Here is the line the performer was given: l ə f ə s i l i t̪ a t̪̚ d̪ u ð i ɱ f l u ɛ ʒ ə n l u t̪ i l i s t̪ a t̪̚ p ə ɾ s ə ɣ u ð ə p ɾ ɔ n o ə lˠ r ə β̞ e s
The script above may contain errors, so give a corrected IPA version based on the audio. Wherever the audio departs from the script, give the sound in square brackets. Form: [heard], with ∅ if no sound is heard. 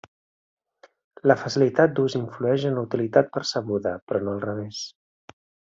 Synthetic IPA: l ə f ə s i l i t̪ a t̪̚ d̪ u [z] i ɱ f l u ɛ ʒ ə n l u t̪ i l i [∅] t̪ a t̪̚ p ə ɾ s ə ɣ u ð ə p ɾ ɔ n o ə lˠ r ə β̞ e s